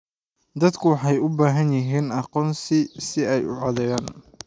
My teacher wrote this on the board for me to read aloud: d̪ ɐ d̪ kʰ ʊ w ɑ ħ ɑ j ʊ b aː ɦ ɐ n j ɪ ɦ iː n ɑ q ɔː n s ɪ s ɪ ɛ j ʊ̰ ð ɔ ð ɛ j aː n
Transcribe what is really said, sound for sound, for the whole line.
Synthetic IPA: d̪ ɐ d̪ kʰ ʊ w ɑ ħ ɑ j ʊ b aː ɦ ɐ n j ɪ ɦ iː n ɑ q ɔː n s ɪ s ɪ ɛ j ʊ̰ ʕ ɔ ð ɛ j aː n